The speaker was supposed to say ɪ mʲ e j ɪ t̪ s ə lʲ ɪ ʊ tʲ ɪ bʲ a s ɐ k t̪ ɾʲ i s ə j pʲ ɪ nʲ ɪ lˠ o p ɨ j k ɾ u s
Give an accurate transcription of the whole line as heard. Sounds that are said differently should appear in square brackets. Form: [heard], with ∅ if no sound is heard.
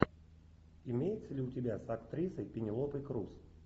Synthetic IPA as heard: ɪ mʲ e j ɪ t̪ s ə lʲ ɪ ʊ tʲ ɪ bʲ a s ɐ k t̪ ɾʲ i s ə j pʲ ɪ nʲ ɪ lˠ o p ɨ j k ɾ u s